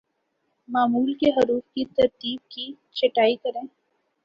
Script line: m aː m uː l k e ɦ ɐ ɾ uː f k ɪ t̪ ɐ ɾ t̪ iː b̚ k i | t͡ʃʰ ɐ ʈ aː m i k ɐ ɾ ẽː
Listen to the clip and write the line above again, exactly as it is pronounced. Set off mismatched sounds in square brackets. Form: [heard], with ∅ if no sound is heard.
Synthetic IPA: m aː m uː l k e ɦ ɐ ɾ uː f k [i] t̪ ɐ ɾ t̪ iː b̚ k i | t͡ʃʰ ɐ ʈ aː [∅] i k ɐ ɾ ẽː